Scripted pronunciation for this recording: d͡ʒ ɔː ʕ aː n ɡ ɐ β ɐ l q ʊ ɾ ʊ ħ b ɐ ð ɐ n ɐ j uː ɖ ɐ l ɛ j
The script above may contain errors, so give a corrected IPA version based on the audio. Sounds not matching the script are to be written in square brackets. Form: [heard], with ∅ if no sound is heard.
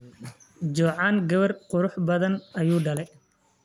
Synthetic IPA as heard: d͡ʒ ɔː ʕ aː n ɡ ɐ β ɐ [r] q ʊ ɾ ʊ ħ b ɐ ð ɐ n ɐ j uː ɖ ɐ l ɛ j